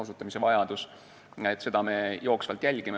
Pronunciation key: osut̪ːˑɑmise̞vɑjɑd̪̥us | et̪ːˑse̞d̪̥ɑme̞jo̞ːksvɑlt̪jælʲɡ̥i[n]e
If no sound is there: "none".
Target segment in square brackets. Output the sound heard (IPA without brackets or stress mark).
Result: m